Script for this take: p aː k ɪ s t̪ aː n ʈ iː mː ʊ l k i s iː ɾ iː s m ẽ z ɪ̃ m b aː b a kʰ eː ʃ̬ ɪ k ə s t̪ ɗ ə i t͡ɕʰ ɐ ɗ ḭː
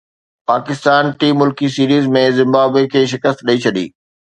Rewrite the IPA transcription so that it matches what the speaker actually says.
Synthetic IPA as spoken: p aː k ɪ s t̪ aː n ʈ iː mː ʊ l k i s iː ɾ iː z m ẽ z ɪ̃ m b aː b e kʰ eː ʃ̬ ɪ k ə s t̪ ɗ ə i t͡ɕʰ ɐ ɗ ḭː